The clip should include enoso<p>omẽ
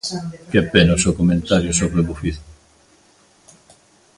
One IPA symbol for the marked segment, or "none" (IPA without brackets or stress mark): k